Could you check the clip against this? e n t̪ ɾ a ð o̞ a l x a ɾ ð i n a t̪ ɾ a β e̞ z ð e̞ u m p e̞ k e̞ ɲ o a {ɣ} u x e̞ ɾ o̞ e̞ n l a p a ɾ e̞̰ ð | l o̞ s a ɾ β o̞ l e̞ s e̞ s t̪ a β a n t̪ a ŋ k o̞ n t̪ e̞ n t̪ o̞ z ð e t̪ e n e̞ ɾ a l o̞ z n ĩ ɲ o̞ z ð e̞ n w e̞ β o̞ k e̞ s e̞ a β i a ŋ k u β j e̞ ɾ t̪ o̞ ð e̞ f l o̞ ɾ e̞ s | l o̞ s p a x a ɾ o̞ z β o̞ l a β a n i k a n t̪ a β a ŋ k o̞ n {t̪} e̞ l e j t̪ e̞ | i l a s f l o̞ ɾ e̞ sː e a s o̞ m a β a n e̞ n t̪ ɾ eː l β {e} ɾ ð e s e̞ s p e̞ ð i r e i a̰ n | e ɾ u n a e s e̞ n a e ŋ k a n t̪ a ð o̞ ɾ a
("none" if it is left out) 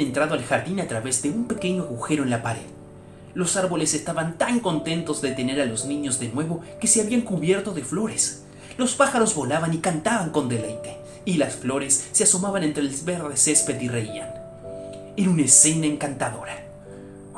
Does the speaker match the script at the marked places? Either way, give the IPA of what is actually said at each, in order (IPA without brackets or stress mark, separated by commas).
ɣ, d̪, e